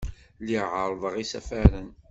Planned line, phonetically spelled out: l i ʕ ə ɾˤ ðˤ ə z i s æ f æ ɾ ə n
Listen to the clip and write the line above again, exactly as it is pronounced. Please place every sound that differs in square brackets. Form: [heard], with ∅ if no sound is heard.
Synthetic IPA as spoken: l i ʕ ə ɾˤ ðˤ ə [ʁ] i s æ f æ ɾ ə n